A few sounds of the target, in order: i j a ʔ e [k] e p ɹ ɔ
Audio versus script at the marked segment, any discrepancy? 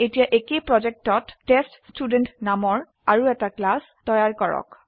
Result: no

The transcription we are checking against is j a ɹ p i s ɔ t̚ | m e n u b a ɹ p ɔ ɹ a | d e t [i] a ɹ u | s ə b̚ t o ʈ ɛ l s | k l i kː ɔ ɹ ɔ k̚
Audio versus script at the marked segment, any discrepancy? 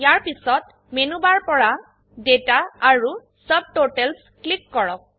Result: yes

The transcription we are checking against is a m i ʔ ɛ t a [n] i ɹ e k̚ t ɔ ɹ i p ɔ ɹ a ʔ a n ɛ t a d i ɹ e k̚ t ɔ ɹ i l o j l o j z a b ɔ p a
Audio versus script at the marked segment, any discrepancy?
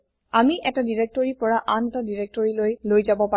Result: yes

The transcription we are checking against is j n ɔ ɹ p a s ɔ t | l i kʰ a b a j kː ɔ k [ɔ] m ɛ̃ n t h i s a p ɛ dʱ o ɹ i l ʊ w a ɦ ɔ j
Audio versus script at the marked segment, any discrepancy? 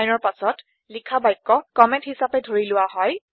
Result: no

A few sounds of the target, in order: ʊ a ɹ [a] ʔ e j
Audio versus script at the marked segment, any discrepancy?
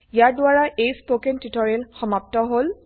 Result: no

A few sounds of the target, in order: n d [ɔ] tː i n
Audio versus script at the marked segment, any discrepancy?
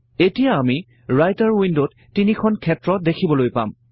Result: yes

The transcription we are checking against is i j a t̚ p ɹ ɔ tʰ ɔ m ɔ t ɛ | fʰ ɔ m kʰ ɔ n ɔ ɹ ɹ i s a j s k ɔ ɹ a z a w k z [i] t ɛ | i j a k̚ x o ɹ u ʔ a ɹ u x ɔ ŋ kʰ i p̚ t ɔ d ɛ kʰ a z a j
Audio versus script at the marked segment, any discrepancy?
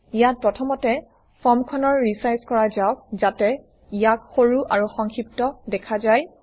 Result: yes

